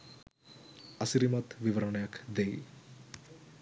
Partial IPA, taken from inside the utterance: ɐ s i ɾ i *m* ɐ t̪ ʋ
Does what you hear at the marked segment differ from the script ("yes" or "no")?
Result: no